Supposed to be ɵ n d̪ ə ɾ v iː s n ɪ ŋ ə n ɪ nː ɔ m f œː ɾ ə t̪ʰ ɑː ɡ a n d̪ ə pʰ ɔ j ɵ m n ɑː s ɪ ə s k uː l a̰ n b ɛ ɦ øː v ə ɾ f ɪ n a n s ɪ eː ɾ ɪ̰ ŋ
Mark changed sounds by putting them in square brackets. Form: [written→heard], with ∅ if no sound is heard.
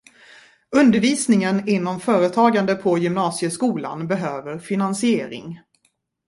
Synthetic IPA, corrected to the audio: ɵ n d̪ ə ɾ v iː s n ɪ ŋ ə n ɪ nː ɔ m f œː ɾ ə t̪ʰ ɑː ɡ a n d̪ ə pʰ ɔ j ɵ m n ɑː s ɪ ə s k uː l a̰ n b ɛ ɦ øː v ə ɾ f ɪ n a n s ɪ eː ɾ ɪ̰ ŋ